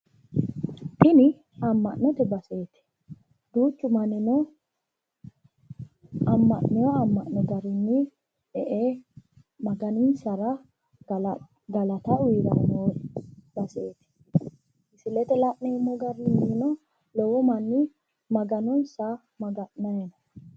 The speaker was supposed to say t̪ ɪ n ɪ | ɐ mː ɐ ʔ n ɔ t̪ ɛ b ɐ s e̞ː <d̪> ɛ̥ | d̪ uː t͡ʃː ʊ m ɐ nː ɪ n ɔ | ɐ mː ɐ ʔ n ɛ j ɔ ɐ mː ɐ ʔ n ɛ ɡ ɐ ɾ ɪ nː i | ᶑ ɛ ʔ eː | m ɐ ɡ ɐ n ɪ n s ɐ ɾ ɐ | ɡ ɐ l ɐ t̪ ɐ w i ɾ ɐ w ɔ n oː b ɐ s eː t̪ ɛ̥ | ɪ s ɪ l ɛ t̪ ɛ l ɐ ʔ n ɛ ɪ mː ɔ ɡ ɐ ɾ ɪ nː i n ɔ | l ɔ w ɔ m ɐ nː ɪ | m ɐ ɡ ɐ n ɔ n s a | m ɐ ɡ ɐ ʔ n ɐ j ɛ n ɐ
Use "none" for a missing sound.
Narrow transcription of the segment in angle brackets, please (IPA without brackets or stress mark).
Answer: t̪